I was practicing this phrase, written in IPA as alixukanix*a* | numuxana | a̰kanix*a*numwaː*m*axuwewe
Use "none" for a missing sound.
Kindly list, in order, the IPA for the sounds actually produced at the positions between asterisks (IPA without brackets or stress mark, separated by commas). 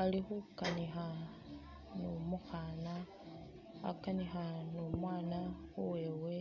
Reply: a, a, n